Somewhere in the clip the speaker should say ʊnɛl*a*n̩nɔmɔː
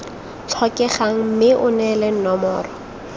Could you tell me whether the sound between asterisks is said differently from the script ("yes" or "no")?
yes